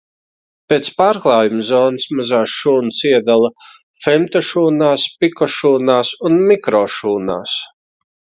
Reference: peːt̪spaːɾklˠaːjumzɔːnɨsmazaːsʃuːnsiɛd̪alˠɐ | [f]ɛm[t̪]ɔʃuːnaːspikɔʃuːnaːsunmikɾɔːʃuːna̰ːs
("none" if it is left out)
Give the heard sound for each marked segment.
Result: f, t̪

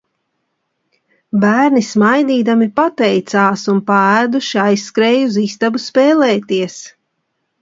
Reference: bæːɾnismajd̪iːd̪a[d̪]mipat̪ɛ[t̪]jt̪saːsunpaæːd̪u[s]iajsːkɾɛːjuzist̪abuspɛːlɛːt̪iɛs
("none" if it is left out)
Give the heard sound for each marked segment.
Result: none, none, ʃ

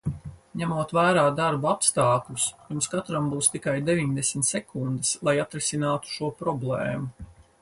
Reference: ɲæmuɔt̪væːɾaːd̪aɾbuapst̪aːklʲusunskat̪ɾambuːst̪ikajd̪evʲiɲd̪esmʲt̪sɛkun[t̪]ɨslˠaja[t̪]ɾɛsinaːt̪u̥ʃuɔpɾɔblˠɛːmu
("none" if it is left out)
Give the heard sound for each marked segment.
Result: d̪, t̪

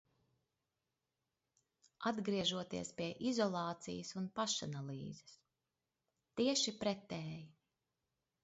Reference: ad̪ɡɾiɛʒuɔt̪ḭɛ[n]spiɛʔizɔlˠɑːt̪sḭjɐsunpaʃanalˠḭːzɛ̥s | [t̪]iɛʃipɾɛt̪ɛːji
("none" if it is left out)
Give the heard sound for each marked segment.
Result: none, t̪

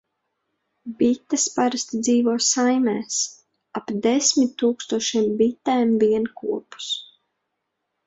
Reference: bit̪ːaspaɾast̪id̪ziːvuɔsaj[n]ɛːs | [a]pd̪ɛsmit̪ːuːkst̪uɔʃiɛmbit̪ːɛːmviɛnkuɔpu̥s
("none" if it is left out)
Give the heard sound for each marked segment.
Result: m, a

